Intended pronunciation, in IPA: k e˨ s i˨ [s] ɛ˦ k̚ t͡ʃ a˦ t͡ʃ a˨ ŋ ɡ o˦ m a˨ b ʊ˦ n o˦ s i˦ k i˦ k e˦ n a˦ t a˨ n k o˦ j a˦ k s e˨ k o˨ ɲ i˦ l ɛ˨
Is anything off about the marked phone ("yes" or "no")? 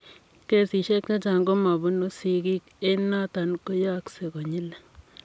yes